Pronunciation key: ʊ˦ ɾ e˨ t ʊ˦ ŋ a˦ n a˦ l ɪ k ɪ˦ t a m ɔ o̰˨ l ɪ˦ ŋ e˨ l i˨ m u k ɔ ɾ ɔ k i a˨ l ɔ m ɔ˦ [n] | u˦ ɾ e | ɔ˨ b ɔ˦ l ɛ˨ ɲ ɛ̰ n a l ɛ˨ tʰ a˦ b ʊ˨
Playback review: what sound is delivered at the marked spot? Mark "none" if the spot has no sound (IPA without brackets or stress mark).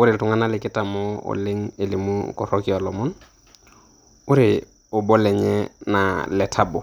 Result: n